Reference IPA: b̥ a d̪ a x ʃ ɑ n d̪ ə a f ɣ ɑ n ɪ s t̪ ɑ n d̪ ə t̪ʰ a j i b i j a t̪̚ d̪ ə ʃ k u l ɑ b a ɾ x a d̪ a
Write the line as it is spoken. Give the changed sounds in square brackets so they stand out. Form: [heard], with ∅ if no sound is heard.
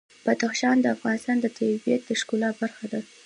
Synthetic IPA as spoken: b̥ a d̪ a x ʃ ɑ n d̪ ə a f ɣ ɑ n ɪ s t̪ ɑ n d̪ ə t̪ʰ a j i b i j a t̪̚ d̪ ə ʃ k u l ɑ b a ɾ x a d̪ a